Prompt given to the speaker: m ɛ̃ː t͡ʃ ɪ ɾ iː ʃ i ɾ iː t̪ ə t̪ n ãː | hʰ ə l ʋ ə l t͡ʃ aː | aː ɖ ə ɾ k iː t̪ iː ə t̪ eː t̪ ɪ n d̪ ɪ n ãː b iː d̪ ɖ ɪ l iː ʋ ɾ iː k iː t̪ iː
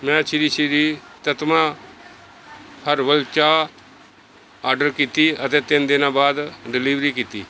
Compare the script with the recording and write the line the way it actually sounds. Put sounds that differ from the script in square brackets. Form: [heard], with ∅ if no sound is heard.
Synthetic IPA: m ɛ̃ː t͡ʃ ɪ ɾ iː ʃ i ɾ iː t̪ ə t̪ [m] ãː | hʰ ə [ɾ] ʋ ə l t͡ʃ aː | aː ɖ ə ɾ k iː t̪ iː ə t̪ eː t̪ ɪ n d̪ ɪ n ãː b [aː] d̪ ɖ ɪ l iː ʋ ɾ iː k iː t̪ iː